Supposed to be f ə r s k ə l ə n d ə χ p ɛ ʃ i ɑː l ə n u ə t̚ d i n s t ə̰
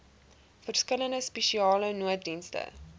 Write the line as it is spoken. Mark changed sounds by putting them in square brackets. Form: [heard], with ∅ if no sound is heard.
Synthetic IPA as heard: f ə r s k ə l ə n d ə [s] p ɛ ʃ i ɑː l ə n u ə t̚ d i n s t ə̰